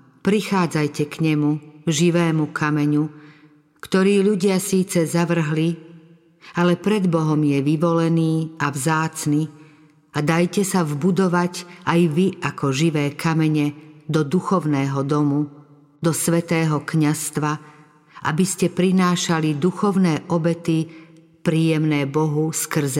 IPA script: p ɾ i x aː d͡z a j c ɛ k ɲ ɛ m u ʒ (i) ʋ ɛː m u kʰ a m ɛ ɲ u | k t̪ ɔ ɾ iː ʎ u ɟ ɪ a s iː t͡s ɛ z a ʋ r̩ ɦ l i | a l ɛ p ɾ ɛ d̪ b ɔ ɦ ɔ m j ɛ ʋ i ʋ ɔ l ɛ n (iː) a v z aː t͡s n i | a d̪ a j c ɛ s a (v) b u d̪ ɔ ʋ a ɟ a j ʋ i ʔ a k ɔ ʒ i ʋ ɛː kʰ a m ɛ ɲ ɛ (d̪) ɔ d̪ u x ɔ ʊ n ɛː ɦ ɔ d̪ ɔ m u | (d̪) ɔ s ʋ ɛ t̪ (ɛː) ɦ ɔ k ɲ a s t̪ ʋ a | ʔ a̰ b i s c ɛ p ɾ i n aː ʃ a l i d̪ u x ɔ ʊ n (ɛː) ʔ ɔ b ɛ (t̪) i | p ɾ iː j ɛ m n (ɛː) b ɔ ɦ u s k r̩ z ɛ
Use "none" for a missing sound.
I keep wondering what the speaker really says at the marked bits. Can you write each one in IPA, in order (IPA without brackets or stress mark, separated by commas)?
i, iː, v, d̪, d̪, ɛː, ɛː, t̪, ɛː